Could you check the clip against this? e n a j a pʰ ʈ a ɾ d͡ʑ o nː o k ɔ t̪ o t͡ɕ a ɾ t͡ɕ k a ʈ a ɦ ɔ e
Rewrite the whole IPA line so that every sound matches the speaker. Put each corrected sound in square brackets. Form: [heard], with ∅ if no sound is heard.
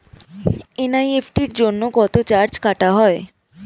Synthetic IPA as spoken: e n a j [e] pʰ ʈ [i] ɾ d͡ʑ o nː o k ɔ t̪ o t͡ɕ a ɾ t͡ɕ k a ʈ a ɦ ɔ e